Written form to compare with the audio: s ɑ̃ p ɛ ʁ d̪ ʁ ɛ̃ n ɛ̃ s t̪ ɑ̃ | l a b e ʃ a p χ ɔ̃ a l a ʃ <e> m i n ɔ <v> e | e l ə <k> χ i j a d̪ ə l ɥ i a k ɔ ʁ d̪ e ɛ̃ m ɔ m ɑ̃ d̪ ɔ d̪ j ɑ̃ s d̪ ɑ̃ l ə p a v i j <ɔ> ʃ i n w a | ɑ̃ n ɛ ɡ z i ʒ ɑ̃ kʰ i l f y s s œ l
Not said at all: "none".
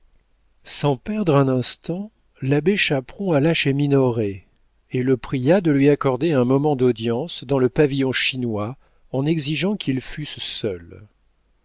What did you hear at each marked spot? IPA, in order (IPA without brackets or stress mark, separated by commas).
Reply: e, ʁ, p, ɔ̃